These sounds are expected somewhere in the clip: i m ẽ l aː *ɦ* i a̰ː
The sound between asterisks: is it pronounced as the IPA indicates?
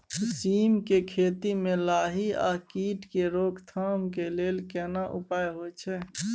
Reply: yes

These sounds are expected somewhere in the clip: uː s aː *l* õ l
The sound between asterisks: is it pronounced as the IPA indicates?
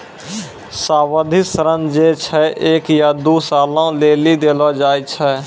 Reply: yes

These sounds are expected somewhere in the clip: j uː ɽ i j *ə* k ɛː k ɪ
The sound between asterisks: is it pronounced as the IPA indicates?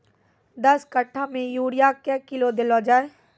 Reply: no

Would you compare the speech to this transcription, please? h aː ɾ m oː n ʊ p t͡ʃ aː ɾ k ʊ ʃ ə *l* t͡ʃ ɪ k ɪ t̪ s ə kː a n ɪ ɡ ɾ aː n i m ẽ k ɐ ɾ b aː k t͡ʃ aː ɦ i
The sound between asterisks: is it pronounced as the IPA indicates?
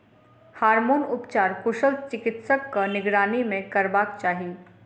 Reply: yes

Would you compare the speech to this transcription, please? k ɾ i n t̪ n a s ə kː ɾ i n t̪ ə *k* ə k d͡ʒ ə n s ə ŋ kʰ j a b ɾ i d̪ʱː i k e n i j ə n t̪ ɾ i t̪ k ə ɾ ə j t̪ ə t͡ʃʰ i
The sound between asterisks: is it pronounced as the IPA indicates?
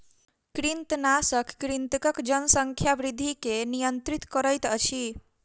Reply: yes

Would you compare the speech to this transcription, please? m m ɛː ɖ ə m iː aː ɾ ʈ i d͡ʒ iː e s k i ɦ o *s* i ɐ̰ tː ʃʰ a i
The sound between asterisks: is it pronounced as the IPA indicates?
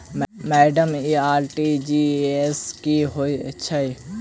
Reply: no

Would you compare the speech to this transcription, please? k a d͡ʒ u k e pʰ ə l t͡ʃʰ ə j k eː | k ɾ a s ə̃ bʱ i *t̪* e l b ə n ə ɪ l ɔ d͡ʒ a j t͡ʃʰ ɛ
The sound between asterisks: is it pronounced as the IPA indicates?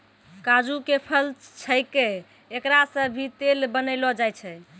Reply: yes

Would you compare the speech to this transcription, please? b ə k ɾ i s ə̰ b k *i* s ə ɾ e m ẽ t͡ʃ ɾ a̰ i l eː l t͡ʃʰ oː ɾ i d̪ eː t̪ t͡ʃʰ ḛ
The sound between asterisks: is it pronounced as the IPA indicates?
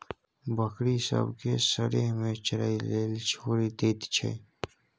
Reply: no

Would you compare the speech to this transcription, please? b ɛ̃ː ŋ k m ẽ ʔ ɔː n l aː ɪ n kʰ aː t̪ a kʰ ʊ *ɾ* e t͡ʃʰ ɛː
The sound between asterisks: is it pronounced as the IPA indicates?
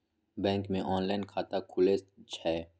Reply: no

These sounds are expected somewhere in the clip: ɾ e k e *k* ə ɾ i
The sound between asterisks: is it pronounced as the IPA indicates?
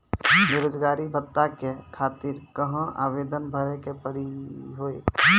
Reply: no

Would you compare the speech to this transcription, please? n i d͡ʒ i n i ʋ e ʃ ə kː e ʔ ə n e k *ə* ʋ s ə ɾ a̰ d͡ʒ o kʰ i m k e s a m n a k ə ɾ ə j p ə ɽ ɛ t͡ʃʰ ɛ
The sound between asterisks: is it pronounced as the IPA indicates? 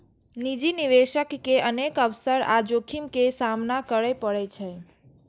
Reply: yes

